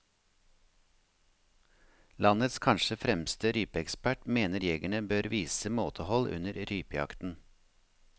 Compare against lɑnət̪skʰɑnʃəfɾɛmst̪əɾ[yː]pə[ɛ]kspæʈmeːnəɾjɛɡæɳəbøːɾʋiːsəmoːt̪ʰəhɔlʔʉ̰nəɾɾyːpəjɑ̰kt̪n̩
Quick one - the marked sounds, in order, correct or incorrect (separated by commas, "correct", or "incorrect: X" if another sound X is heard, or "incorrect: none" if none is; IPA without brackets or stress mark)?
correct, correct